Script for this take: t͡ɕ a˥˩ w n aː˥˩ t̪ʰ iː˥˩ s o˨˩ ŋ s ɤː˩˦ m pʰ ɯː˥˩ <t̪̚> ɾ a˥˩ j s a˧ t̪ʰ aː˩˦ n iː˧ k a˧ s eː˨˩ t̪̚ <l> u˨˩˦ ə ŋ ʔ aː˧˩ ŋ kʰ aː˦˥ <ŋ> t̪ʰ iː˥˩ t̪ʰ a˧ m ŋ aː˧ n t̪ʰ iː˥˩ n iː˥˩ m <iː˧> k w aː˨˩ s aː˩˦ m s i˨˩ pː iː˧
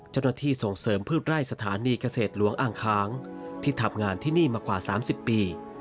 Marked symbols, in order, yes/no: yes, yes, yes, no

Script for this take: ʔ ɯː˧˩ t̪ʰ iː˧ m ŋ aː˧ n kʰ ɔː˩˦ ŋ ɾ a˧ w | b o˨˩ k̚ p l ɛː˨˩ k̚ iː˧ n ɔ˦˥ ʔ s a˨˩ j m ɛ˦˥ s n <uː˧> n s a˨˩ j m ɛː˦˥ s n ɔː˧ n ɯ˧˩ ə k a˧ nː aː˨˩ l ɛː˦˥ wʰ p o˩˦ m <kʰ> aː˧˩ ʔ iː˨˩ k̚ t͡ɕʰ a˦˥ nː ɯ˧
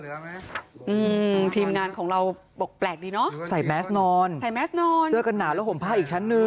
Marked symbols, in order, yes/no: no, no

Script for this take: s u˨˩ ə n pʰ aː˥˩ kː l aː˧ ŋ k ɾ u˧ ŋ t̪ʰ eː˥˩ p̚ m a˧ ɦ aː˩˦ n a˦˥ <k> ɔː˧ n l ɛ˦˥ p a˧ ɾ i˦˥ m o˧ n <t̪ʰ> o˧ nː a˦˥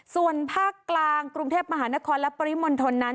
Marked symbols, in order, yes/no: no, yes

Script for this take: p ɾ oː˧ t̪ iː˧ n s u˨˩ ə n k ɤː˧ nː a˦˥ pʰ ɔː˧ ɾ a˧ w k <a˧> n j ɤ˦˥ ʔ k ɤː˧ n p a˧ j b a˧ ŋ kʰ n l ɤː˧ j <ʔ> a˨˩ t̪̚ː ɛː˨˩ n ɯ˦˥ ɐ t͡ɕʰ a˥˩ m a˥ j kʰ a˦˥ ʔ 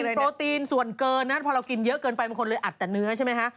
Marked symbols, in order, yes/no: no, yes

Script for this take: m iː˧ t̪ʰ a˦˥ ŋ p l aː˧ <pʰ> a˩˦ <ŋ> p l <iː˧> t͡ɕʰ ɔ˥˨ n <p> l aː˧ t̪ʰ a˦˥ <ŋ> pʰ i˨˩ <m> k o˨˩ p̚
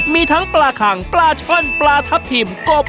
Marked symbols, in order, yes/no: no, yes, no, yes, no, yes

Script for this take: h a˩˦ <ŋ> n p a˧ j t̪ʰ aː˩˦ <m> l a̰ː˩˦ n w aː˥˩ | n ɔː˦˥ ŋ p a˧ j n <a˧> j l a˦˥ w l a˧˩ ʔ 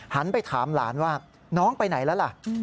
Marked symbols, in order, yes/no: no, yes, no

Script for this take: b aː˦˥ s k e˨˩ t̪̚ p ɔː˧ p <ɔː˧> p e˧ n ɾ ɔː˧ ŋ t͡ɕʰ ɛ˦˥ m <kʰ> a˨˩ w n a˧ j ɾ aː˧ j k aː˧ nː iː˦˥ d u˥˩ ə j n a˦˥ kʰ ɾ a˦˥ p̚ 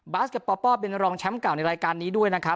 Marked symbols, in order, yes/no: no, no

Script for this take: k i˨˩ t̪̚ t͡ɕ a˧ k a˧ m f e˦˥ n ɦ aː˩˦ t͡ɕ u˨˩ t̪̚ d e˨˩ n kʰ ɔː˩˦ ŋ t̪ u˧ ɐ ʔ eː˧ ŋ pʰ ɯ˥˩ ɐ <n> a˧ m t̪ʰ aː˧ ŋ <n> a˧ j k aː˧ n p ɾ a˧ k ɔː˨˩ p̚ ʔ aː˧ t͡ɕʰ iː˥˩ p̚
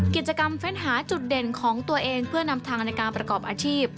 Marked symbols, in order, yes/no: yes, yes

